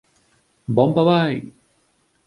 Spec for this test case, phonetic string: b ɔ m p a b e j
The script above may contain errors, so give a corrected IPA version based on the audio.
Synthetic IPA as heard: b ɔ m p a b a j